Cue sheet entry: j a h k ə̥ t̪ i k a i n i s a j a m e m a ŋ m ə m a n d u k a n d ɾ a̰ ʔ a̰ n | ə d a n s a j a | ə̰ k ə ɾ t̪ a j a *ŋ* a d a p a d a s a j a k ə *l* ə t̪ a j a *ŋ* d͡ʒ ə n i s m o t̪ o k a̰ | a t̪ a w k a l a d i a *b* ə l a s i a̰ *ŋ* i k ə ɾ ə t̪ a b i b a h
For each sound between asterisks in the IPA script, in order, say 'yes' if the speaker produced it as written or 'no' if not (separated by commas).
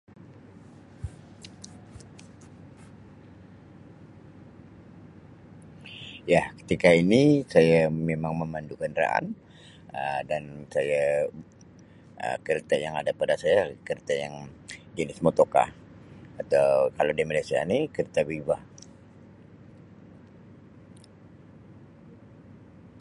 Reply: yes, no, yes, no, no